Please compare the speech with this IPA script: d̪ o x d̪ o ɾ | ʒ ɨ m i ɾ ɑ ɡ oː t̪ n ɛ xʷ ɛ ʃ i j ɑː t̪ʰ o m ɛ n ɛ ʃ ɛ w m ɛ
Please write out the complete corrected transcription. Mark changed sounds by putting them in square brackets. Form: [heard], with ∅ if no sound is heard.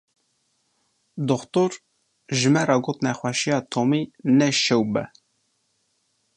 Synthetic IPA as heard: d̪ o x [t̪] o ɾ | ʒ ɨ m [ɛ] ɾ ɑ ɡ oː t̪ n ɛ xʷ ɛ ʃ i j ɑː t̪ʰ o m [i] n ɛ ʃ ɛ w [b] ɛ

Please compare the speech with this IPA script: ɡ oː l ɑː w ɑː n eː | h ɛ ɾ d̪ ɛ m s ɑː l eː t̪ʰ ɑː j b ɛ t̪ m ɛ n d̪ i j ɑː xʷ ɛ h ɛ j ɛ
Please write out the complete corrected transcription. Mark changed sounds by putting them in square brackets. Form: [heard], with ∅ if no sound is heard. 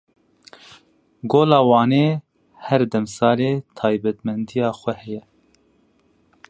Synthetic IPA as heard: ɡ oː l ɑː w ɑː n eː | h ɛ ɾ d̪ ɛ m s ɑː l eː t̪ʰ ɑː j b ɛ t̪ m ɛ n d̪ i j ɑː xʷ ɛ h ɛ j ɛ

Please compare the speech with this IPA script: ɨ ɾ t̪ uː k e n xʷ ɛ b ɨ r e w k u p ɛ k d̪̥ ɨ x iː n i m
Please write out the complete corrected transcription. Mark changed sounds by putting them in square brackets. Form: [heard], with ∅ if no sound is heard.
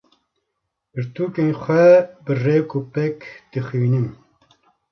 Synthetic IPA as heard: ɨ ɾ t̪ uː k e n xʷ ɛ b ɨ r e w k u p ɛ k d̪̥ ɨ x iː n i m

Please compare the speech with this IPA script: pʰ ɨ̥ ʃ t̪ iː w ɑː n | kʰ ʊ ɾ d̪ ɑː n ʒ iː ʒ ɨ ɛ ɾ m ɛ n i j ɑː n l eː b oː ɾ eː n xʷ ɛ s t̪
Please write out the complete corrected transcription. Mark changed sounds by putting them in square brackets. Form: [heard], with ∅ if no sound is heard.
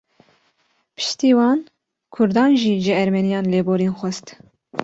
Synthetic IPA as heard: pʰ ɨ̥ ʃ t̪ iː w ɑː n | kʰ ʊ ɾ d̪ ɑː n ʒ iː ʒ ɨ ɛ ɾ m ɛ n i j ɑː n l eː b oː ɾ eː n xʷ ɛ s t̪

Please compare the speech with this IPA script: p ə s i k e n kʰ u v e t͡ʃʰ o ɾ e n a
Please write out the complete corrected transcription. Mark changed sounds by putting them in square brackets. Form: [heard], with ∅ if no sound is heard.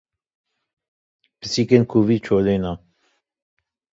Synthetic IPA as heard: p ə s i k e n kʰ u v [i] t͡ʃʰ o [l] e n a

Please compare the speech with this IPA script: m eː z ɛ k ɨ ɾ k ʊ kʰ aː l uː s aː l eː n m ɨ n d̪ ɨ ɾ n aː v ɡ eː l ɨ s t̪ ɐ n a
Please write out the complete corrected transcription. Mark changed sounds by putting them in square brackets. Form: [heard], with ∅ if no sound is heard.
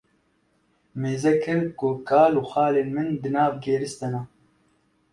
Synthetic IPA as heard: m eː z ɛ k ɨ ɾ k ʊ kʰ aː l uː [x] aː l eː n m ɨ n d̪ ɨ [∅] n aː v ɡ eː [ɾ] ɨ s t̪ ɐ n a

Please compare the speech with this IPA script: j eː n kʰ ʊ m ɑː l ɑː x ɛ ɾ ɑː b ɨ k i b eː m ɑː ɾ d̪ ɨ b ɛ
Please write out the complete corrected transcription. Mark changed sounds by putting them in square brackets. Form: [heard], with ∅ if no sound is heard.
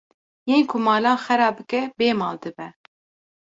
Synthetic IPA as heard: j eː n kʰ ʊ m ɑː l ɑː x ɛ ɾ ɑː b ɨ k [ɛ] b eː m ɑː [l] d̪ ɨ b ɛ

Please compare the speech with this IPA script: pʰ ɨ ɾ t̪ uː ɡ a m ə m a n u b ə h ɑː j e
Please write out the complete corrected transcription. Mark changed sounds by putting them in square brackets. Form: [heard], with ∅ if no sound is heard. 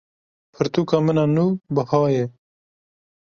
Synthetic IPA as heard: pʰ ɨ ɾ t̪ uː [k] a m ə [n] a n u b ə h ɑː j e

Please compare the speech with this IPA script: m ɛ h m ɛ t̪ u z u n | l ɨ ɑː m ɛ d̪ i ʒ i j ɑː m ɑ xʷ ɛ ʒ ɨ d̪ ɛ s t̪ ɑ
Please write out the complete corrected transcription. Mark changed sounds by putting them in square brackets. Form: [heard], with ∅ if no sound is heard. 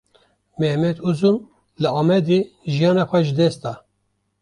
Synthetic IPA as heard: m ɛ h m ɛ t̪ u z u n | l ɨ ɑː m ɛ d̪ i ʒ i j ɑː [n] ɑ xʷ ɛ ʒ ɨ d̪ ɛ s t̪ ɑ

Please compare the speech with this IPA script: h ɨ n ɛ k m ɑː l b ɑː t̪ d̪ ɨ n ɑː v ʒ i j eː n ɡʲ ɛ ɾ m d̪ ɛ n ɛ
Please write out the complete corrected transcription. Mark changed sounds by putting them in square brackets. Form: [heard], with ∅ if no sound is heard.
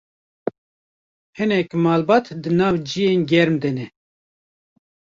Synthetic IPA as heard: h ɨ n ɛ k m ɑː l b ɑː t̪ d̪ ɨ n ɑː v [d͡ʒ] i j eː n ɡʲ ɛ ɾ m d̪ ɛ n ɛ

